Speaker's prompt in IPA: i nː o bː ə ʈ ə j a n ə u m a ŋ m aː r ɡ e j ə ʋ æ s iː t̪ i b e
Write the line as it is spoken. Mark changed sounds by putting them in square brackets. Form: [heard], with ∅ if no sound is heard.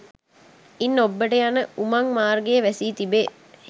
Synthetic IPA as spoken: i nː o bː ə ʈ ə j a n ə u m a ŋ m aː r ɡ e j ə ʋ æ s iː t̪ i b e